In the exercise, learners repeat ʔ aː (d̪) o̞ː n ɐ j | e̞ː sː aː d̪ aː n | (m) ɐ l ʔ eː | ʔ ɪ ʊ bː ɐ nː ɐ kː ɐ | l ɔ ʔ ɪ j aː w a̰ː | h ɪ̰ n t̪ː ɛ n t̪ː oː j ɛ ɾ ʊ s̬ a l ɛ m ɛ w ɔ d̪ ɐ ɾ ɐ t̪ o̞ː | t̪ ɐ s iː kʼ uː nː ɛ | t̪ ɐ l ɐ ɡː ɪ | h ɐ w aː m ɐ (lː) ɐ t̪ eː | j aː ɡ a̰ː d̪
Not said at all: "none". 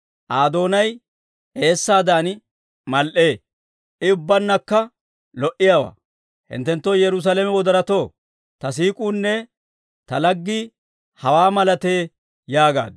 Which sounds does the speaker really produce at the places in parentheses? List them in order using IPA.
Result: d̪, m, l

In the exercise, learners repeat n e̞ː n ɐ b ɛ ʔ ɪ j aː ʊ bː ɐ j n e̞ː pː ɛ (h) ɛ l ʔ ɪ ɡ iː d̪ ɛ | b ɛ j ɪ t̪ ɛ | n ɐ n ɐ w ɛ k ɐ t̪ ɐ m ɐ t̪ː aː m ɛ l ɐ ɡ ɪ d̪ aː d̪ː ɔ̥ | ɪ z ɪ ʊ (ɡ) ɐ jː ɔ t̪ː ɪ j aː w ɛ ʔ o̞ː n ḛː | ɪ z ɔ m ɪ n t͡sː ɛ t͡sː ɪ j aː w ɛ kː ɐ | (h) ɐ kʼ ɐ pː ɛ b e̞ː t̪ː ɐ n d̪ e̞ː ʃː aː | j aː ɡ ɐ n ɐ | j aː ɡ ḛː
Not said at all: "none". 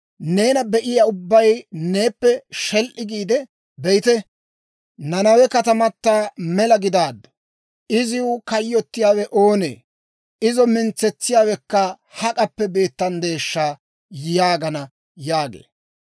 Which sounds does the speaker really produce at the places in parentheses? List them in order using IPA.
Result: ʃ, k, h

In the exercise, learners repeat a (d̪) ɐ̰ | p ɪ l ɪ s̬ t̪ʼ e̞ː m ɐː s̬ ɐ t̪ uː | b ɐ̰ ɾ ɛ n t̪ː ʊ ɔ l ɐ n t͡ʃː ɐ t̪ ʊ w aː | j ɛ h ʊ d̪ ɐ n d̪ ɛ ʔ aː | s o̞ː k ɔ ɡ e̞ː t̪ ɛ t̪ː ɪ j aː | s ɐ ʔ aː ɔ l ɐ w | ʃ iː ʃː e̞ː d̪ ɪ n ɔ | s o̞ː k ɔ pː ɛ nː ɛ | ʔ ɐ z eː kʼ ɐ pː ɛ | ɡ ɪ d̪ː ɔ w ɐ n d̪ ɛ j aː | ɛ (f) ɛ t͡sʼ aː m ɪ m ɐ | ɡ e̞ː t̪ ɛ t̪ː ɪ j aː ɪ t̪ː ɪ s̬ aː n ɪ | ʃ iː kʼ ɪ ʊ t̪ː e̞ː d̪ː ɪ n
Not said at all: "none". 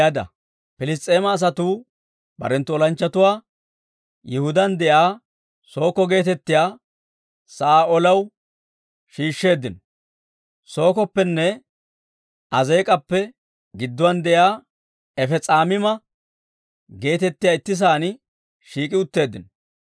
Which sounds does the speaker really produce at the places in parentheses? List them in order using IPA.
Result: d̪, f

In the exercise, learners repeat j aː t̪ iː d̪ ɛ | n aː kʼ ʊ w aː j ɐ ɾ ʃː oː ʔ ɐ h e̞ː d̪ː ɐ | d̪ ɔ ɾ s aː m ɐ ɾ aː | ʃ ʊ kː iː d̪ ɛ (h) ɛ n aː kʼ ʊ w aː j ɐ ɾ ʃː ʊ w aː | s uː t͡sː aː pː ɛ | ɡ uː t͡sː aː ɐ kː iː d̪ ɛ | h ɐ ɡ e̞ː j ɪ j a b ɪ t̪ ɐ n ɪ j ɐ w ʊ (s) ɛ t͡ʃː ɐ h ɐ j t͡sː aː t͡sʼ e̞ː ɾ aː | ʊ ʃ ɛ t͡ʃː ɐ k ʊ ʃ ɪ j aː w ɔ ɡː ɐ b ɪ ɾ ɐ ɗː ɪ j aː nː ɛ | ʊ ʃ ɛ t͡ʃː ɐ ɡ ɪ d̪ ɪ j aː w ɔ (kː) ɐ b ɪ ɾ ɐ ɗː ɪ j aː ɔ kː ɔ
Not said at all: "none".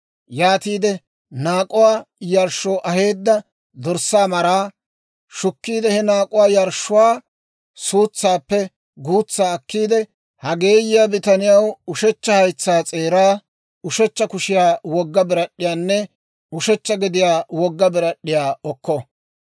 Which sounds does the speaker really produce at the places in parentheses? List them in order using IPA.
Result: h, ʃ, ɡː

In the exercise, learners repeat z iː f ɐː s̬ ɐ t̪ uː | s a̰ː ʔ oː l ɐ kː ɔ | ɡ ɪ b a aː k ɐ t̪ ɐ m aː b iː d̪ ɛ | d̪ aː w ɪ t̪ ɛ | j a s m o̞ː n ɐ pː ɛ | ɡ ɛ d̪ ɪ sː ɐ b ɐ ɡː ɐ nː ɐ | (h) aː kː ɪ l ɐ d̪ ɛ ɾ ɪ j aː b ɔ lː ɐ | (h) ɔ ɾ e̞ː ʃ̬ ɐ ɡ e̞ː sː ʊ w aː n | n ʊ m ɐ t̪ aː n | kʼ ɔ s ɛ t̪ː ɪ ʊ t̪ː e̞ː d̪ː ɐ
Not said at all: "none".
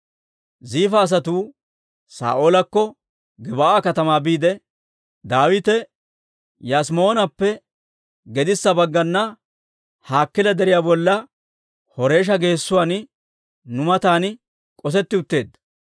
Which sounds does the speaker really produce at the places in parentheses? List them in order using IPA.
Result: h, h

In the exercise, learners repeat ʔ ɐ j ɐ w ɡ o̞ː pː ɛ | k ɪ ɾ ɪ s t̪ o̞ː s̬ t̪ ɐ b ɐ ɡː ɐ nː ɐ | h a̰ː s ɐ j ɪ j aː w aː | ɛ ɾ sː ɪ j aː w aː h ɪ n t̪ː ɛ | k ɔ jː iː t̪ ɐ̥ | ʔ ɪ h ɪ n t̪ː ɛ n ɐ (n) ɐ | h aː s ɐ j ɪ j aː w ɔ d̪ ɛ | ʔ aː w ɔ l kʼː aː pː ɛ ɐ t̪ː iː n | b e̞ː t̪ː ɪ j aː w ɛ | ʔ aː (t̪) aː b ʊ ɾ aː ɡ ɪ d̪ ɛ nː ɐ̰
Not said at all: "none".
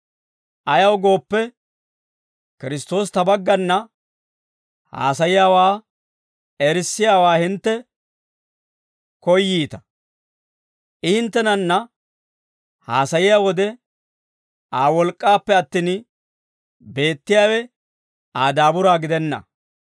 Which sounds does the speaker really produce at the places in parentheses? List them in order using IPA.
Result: nː, d̪

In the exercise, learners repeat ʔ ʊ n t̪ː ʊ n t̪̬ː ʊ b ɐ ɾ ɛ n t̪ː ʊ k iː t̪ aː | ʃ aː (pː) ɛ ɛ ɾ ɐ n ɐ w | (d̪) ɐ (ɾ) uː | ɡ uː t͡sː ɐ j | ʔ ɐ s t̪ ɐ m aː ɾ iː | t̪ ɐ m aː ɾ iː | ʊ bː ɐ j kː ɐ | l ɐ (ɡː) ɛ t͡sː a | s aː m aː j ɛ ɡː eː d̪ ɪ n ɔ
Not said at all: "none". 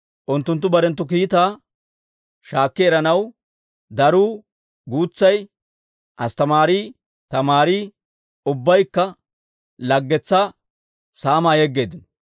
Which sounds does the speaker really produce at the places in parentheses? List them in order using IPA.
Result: kː, d̪, ɾ, ɡː

